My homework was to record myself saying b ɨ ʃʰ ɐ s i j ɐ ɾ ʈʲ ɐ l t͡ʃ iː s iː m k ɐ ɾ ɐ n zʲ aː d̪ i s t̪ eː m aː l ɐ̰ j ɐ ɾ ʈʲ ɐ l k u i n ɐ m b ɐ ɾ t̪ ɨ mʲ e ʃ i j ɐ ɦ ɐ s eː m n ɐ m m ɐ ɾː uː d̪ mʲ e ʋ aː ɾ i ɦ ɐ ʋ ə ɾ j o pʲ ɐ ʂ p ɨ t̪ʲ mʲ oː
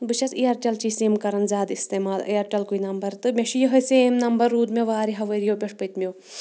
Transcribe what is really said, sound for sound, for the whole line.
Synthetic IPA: b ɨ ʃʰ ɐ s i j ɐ ɾ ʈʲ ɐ l t͡ʃ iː s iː m k ɐ ɾ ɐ n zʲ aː d̪ i s t̪ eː m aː l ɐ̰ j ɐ ɾ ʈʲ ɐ l k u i n ɐ m b ɐ ɾ t̪ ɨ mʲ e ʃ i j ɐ ɦ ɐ s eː m n ɐ m b ɐ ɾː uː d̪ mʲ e ʋ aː ɾ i ɦ ɐ ʋ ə ɾ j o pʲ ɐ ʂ p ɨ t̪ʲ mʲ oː